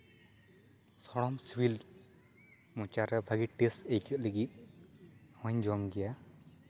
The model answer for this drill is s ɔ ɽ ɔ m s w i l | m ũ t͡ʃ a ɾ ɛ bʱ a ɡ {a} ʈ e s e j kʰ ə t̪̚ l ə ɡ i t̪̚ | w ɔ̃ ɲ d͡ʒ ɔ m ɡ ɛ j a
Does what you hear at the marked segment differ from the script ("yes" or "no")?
yes